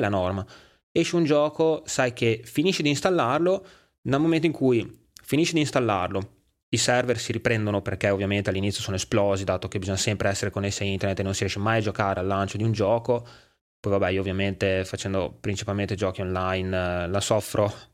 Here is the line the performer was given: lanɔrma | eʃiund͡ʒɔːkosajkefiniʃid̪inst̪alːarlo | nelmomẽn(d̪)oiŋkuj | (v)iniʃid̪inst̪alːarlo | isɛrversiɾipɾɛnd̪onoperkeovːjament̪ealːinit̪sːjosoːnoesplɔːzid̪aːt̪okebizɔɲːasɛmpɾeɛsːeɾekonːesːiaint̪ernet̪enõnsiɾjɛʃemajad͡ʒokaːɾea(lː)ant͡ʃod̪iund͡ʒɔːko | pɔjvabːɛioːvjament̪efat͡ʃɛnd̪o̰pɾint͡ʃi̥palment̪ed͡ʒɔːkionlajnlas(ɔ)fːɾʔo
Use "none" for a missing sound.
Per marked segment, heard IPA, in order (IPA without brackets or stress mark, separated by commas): t̪, f, lː, ɔ